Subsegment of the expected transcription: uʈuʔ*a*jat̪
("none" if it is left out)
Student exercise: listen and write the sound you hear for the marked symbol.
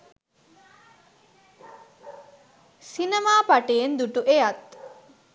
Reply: e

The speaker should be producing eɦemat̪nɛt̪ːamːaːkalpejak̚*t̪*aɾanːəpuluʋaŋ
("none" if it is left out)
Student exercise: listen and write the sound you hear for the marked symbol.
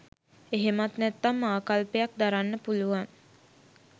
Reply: d̪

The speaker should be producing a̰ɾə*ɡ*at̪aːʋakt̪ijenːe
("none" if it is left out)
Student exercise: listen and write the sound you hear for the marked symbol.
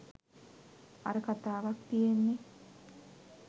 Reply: k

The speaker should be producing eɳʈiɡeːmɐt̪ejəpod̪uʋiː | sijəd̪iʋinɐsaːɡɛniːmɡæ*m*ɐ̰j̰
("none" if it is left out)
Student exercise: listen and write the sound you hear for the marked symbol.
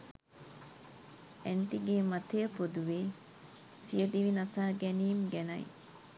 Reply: n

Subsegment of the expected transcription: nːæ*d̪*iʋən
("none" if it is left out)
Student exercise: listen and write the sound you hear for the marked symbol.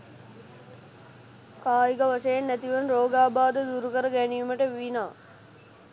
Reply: t̪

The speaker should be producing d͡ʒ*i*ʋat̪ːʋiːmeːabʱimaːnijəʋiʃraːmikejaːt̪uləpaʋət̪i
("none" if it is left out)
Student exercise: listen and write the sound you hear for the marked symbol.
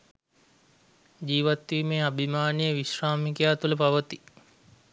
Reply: iː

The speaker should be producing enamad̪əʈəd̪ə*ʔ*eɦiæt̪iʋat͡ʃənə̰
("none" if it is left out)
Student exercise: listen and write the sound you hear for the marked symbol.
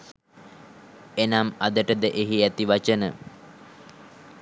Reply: ʔ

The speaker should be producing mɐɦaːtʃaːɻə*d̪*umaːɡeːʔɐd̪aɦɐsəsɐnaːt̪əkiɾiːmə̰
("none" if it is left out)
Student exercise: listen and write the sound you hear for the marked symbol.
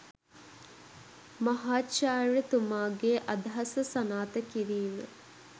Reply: t̪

